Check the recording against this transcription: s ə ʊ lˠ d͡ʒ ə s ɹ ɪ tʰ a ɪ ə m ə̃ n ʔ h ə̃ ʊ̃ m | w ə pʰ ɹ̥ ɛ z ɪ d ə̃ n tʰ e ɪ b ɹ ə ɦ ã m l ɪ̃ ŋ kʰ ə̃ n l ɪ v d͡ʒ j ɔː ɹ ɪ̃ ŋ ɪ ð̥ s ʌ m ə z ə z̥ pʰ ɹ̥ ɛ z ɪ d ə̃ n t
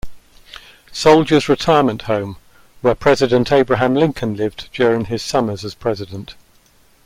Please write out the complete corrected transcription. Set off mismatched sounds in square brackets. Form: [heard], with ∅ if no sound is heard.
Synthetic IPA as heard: s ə ʊ lˠ d͡ʒ ə [z] ɹ ɪ tʰ a ɪ ə m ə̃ n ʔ h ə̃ ʊ̃ m | w ə pʰ ɹ̥ ɛ z ɪ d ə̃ n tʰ e ɪ b ɹ ə ɦ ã m l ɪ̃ ŋ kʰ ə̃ n l ɪ v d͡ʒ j ɔː ɹ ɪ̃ ŋ ɪ [z̥] s ʌ m ə z ə z̥ pʰ ɹ̥ ɛ z ɪ d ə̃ n t